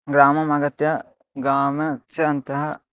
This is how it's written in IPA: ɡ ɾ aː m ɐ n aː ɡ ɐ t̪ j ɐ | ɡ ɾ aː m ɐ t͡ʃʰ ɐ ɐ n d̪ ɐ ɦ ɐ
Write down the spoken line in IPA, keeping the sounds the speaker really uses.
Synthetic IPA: ɡ ɾ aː m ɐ m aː ɡ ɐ t̪ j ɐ | ɡ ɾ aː m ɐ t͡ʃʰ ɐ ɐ n t̪ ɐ ɦ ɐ